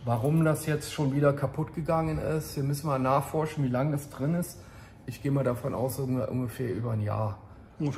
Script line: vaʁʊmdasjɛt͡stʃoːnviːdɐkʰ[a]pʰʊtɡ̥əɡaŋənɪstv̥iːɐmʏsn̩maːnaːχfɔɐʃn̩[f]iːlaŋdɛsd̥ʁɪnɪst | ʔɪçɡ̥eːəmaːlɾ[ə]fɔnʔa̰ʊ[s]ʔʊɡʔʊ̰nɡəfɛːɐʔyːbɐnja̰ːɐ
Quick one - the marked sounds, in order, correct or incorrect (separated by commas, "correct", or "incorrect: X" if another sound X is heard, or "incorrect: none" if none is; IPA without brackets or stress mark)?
correct, incorrect: v, incorrect: a, correct